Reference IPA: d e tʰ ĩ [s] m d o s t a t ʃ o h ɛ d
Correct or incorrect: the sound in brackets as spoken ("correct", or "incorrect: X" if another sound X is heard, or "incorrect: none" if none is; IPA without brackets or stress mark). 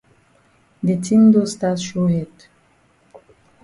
incorrect: none